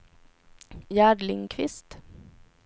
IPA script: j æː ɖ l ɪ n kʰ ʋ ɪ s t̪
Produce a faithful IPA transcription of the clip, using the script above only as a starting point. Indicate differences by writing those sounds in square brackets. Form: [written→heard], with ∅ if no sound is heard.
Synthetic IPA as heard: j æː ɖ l ɪ [n→ŋ] kʰ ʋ ɪ s t̪